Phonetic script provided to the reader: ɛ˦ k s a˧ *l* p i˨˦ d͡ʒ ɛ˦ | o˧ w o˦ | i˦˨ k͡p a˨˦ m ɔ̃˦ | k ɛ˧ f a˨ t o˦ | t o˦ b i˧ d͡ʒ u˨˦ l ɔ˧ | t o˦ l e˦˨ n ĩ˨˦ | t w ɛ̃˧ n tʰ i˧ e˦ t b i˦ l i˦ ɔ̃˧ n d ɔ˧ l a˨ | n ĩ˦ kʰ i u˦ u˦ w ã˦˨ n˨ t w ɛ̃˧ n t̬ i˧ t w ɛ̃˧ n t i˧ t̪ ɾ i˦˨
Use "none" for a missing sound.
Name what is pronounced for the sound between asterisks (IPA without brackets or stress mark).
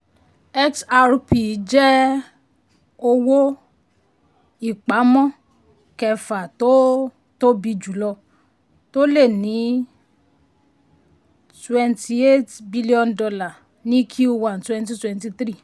ɾ